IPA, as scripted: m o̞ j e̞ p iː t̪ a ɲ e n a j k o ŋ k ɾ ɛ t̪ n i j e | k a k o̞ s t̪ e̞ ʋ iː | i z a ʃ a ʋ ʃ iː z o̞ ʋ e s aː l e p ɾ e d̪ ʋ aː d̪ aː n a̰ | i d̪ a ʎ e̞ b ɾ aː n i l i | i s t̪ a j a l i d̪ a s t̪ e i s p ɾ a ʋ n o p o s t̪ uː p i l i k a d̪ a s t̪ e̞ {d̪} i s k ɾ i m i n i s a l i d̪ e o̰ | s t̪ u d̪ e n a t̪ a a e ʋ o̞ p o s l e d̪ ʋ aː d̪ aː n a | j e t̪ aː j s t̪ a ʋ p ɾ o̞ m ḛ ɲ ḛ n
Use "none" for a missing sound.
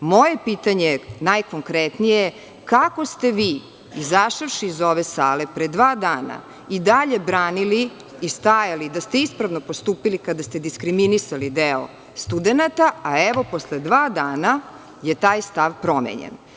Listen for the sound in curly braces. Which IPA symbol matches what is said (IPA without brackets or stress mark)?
d̪